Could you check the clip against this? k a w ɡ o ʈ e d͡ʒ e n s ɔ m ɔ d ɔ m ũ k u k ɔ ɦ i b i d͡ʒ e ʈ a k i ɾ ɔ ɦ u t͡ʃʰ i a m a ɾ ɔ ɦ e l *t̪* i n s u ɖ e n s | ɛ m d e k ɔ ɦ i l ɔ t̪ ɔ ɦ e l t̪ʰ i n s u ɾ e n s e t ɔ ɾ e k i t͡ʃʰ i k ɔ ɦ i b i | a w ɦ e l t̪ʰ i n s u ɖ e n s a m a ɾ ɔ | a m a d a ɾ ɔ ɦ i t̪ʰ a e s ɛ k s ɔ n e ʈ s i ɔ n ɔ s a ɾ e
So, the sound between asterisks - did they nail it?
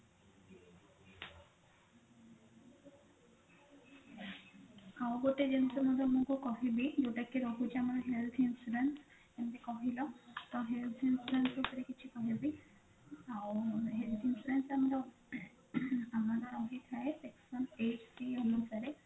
no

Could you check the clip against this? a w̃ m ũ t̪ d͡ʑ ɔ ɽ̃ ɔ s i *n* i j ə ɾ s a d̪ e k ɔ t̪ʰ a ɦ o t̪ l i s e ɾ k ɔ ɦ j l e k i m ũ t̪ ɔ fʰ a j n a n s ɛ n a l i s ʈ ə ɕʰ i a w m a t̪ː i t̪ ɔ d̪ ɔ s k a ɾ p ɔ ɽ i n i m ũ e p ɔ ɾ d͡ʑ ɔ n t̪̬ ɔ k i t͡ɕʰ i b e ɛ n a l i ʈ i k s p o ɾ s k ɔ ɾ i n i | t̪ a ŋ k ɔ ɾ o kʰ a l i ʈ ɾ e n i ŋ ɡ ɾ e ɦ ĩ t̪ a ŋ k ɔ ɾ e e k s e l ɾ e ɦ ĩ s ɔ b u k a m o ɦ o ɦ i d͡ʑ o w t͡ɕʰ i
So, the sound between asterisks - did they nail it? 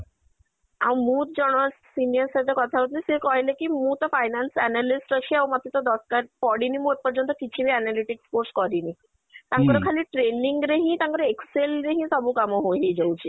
yes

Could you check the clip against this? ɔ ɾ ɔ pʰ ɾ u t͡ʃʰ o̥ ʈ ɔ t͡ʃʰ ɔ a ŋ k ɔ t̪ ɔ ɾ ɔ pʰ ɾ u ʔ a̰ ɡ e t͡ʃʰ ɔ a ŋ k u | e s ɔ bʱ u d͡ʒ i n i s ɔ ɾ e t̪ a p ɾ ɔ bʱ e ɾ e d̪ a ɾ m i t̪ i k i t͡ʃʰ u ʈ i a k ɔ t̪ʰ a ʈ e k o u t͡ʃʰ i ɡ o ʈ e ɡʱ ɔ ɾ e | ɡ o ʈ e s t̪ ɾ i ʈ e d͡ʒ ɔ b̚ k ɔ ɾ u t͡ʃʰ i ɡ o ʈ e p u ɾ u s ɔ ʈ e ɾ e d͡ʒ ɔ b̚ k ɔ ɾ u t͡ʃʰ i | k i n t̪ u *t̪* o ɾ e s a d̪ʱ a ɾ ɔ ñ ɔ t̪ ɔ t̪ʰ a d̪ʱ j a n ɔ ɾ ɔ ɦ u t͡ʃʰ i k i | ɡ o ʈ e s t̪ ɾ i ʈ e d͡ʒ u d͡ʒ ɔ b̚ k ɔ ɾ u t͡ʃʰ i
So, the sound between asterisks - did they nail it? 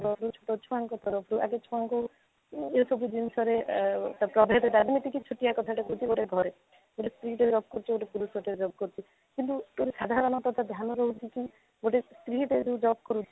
yes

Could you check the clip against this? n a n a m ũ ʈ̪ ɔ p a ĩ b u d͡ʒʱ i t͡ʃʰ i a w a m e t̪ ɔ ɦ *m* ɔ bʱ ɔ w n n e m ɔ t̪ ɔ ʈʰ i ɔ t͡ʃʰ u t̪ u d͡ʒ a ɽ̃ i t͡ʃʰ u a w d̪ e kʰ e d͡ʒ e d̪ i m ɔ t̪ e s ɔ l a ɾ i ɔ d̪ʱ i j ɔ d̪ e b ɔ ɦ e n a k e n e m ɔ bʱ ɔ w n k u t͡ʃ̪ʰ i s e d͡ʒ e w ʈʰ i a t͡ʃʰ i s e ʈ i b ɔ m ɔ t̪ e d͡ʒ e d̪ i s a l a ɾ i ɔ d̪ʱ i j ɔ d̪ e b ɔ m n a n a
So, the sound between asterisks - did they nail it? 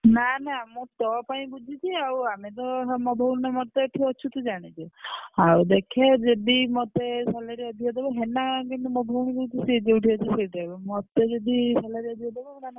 yes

